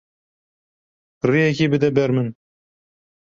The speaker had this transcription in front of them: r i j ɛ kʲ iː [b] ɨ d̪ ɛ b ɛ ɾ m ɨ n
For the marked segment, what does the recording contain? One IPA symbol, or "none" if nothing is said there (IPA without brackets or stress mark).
b